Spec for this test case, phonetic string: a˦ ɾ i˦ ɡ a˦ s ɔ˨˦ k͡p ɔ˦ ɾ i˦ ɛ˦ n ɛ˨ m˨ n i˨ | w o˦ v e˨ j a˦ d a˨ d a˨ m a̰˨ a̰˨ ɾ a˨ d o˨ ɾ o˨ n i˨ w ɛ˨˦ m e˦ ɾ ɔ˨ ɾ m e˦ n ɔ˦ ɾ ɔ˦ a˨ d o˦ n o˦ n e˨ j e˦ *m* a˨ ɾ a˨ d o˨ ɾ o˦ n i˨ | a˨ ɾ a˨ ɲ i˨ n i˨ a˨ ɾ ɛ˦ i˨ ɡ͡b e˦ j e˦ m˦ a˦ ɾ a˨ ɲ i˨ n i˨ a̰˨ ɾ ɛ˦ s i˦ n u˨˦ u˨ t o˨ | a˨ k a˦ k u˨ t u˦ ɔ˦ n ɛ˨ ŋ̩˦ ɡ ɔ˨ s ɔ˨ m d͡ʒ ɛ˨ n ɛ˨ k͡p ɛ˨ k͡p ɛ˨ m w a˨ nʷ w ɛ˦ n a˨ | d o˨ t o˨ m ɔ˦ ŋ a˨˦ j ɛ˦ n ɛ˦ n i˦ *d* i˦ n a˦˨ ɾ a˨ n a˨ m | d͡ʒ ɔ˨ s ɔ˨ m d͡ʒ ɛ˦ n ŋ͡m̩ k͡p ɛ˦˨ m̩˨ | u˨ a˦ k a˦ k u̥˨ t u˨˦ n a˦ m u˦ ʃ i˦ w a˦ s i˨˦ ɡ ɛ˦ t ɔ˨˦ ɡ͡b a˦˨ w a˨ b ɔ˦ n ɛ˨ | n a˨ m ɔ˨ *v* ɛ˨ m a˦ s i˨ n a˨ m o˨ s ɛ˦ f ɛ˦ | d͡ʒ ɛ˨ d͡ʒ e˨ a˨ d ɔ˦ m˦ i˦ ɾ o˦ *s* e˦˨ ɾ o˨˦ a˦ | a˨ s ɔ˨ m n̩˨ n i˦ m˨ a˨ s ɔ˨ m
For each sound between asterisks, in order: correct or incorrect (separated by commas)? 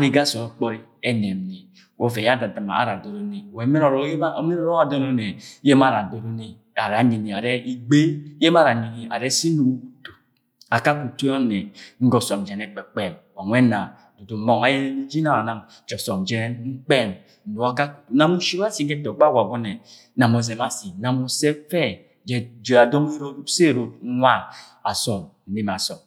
correct, incorrect, incorrect, correct